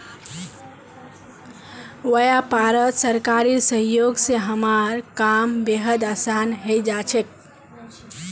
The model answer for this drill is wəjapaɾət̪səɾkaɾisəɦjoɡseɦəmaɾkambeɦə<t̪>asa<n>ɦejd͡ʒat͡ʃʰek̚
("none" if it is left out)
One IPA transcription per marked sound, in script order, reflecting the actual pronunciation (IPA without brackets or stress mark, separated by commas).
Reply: d̪, n